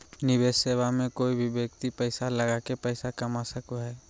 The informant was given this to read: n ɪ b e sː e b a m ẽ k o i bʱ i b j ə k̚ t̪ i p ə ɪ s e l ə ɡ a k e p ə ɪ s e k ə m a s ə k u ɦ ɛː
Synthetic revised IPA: n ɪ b e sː e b a m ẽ k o i bʱ i b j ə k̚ t̪ i p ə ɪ s a l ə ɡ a k e p ə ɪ s a k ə m a s ə k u ɦ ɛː